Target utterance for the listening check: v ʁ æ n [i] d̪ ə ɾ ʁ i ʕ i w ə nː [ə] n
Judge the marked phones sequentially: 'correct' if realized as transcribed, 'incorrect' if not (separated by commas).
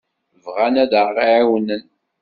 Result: incorrect, correct